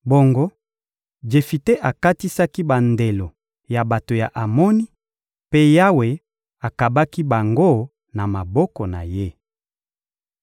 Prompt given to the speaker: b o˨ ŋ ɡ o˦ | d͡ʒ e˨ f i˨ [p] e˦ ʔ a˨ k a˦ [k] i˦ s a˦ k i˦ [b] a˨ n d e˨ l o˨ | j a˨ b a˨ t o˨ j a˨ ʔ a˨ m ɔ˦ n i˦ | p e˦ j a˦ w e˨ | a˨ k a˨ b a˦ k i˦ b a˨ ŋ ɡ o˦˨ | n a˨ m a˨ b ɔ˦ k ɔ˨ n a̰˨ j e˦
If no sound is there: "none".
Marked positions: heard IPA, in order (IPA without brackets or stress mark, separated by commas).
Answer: t, t, b